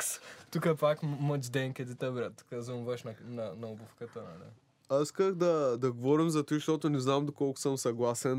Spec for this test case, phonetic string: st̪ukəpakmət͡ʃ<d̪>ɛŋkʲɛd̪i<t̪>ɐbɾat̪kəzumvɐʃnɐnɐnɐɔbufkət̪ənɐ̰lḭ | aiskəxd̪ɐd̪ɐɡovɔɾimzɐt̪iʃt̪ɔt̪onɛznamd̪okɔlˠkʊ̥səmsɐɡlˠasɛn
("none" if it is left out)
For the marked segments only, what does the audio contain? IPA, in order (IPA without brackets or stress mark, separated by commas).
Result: d̪, t̪